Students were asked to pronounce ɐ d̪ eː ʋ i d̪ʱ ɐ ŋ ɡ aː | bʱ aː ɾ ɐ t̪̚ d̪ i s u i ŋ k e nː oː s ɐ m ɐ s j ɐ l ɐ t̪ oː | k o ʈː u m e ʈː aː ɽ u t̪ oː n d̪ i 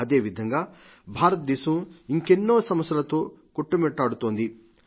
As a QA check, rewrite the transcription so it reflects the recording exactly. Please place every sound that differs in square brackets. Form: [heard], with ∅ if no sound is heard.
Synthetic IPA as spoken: ɐ d̪ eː ʋ i d̪ʱ ɐ ŋ ɡ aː | bʱ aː ɾ ɐ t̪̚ d̪ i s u i ŋ k e nː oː s ɐ m ɐ s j ɐ l ɐ t̪ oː | k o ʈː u m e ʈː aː ɽ u t̪ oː n d̪ i